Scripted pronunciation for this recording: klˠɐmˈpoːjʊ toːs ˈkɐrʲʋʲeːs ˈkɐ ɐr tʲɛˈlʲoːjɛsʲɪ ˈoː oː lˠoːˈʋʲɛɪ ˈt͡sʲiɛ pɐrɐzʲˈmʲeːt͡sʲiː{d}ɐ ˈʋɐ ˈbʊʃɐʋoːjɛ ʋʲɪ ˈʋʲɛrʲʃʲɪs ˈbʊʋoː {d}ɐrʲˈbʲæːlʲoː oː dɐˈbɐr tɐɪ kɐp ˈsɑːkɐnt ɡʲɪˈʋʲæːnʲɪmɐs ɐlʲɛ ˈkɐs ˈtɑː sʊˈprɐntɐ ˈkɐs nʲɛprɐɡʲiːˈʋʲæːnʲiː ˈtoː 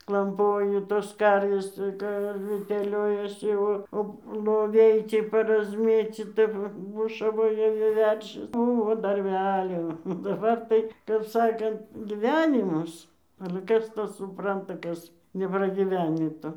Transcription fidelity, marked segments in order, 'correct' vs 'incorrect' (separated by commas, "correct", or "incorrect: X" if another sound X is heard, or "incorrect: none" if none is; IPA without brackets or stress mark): incorrect: t, correct